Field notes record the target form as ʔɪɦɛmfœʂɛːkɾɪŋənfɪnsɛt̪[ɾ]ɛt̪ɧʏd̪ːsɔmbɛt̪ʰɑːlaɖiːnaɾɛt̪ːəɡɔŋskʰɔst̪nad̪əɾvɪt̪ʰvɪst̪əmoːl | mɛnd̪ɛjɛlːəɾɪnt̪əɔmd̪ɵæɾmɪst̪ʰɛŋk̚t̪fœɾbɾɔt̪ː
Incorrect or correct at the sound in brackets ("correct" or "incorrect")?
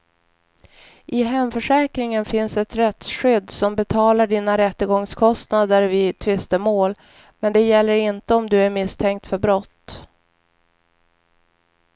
correct